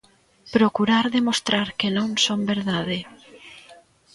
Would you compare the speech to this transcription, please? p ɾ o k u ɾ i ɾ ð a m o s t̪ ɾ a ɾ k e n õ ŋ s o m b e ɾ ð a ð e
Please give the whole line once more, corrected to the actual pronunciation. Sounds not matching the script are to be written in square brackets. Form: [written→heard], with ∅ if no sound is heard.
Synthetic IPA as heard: p ɾ o k u ɾ [i→a] ɾ ð [a→e] m o s t̪ ɾ a ɾ k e n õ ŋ s o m b e ɾ ð a ð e